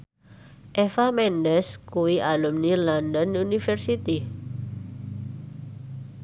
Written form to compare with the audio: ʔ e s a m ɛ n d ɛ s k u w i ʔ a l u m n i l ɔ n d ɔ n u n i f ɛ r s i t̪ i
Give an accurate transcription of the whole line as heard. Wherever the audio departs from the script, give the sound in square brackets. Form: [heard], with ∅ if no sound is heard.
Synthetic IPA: ʔ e [f] a m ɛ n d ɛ s k u w i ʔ a l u m n i l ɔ n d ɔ n u n i f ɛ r s i t̪ i